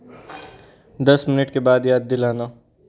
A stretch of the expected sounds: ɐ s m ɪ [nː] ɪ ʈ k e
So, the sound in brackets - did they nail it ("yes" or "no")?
no